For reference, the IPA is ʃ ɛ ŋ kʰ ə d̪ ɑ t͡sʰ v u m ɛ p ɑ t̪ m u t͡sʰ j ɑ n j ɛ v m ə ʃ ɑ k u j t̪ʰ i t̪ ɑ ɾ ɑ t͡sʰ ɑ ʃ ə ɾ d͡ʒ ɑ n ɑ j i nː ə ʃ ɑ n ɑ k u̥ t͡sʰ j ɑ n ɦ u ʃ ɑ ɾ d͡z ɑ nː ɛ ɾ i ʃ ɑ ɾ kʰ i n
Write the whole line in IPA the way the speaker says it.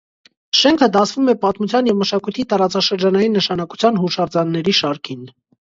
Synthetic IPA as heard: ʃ ɛ ŋ kʰ ə d̪ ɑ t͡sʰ v u m ɛ p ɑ t̪ m u t͡sʰ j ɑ n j ɛ v m ə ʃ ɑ k u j t̪ʰ i t̪ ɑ ɾ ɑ t͡s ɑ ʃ ə ɾ d͡ʒ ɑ n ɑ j i nː ə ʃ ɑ n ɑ k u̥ t͡sʰ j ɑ n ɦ u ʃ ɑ ɾ d͡z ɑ nː ɛ ɾ i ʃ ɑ ɾ kʰ i n